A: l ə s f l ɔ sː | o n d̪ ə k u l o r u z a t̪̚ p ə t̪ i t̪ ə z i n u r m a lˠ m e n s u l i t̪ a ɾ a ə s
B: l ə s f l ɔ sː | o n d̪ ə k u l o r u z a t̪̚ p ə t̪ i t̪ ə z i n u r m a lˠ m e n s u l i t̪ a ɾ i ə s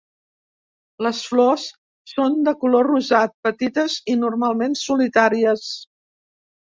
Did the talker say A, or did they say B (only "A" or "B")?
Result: B